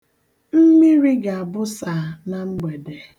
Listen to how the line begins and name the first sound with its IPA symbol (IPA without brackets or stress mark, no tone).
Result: m̩